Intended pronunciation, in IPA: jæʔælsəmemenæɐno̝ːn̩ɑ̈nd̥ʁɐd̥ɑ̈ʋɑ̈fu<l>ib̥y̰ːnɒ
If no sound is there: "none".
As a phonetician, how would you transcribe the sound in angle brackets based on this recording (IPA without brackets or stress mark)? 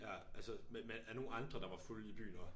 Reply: l